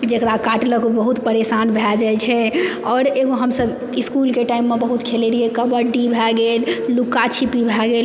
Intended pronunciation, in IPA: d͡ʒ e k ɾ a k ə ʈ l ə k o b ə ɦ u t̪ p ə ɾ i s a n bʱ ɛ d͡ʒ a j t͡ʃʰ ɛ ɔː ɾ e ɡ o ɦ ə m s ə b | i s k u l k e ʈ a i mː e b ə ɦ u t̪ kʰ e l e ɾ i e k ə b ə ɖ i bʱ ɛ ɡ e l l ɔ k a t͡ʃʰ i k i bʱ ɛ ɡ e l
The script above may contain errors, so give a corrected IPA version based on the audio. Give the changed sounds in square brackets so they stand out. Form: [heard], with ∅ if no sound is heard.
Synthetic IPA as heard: d͡ʒ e k ɾ a k [a] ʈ l ə k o b ə ɦ u t̪ p ə ɾ [e] s a n bʱ ɛ d͡ʒ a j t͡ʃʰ ɛ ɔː ɾ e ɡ o ɦ ə m s ə b | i s k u l k e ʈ a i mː e b ə ɦ u t̪ kʰ e l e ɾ i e k ə b ə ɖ i bʱ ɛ ɡ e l l [u] k a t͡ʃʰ i [p] i bʱ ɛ ɡ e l